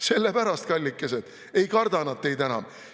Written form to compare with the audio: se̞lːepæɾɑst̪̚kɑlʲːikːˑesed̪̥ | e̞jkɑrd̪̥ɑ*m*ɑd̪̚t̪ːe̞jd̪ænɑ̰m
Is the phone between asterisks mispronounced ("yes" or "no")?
yes